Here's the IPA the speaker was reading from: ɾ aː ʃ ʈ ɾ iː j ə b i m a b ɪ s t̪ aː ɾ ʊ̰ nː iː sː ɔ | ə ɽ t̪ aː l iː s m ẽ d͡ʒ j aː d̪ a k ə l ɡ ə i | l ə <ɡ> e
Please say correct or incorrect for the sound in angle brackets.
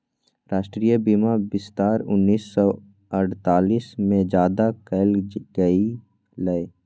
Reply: incorrect